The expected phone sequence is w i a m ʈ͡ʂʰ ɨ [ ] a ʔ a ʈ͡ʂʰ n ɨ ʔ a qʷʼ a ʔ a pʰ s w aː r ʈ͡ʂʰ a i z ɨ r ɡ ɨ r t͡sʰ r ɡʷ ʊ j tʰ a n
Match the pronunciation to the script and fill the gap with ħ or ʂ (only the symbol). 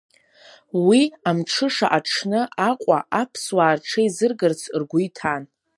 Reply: ʂ